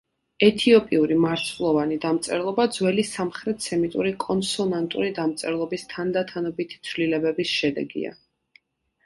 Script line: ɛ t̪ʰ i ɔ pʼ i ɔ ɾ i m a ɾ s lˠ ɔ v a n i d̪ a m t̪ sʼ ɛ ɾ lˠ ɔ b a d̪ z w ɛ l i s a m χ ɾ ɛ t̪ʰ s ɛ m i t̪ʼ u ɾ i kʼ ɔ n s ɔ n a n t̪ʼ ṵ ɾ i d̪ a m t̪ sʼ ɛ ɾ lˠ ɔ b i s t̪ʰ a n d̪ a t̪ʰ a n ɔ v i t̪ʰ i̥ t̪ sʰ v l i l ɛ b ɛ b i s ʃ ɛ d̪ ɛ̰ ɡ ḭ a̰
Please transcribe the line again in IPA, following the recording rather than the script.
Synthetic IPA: ɛ t̪ʰ i ɔ pʼ i u ɾ i m a ɾ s lˠ ɔ v a n i d̪ a m t̪ sʼ ɛ ɾ lˠ ɔ b a d̪ z w ɛ l i s a m χ ɾ ɛ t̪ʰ s ɛ m i t̪ʼ u ɾ i kʼ ɔ n s ɔ n a n t̪ʼ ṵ ɾ i d̪ a m t̪ sʼ ɛ ɾ lˠ ɔ b i s t̪ʰ a n d̪ a t̪ʰ a n ɔ b i t̪ʰ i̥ t̪ sʰ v l i l ɛ b ɛ b i s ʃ ɛ d̪ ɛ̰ ɡ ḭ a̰